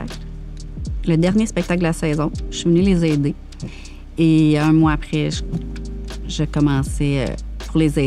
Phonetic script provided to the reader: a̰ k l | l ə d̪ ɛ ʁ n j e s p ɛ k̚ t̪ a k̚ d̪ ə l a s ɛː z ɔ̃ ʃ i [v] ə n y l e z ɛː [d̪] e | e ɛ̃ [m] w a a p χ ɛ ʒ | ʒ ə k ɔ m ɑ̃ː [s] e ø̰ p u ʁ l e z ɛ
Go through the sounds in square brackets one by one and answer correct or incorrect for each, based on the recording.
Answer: correct, correct, correct, correct

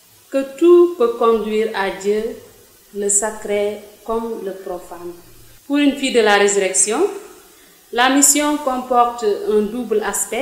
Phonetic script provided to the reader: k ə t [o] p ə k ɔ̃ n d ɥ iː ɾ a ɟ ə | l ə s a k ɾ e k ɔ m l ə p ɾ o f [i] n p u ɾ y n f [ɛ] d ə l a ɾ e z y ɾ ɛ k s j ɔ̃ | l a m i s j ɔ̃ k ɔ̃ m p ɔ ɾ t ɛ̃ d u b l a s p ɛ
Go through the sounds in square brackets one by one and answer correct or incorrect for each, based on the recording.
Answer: incorrect, incorrect, incorrect

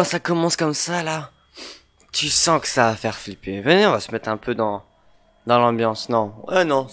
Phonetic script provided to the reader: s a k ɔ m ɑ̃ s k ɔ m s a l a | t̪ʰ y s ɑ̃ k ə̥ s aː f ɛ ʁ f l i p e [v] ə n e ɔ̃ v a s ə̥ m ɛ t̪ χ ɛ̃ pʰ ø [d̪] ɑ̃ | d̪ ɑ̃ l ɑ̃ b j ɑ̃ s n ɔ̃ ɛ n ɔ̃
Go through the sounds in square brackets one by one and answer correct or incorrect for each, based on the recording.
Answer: correct, correct

